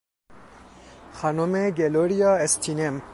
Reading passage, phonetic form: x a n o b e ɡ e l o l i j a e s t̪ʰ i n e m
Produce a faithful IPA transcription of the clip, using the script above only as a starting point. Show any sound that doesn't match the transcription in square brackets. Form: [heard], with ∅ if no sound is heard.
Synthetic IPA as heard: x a n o [m] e ɡ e l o [ɾ] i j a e s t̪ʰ i n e m